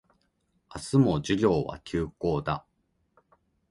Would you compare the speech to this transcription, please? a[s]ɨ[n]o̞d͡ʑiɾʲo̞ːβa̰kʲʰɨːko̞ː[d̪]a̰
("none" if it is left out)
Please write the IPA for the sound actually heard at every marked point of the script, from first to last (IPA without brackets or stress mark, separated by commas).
s, m, d̪